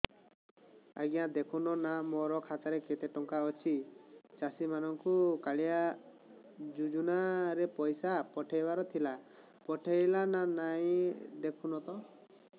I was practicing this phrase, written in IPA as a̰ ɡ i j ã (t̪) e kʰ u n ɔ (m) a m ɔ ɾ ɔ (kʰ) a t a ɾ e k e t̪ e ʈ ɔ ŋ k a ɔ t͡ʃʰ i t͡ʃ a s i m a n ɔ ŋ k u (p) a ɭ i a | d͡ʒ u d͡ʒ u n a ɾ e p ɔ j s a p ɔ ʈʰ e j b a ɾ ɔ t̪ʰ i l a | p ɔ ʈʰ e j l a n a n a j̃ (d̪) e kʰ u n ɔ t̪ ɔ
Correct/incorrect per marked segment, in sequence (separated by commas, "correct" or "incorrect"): incorrect, incorrect, correct, incorrect, correct